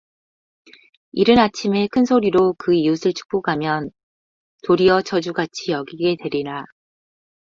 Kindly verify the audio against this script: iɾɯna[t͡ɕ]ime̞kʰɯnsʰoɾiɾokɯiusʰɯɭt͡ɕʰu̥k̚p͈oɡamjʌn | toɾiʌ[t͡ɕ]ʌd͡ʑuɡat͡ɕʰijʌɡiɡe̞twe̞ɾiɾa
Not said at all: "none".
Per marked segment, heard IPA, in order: t͡ɕʰ, t͡ɕʰ

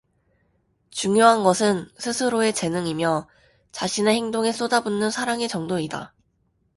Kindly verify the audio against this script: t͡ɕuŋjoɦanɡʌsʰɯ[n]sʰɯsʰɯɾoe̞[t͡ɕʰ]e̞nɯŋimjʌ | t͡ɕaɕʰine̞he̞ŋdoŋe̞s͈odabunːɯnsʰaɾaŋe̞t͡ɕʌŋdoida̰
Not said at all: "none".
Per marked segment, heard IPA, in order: n, t͡ɕ

